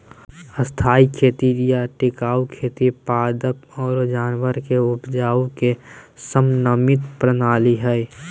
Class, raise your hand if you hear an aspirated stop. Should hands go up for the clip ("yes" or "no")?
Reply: yes